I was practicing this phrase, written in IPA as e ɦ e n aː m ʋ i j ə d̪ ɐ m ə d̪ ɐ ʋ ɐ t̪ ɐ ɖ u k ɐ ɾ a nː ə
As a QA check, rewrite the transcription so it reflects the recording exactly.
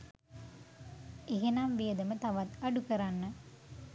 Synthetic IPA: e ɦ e n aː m ʋ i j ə d̪ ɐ m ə t̪ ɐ ʋ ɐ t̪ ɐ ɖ u k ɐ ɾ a nː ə